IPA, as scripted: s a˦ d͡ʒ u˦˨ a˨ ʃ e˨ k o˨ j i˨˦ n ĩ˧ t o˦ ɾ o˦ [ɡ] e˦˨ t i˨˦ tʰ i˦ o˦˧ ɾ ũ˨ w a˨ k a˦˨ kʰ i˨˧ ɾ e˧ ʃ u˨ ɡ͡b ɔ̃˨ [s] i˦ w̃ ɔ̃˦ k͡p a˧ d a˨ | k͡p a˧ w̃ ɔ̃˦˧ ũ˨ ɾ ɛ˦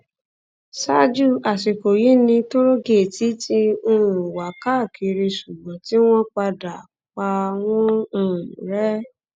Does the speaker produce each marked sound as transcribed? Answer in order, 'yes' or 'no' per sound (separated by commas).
yes, no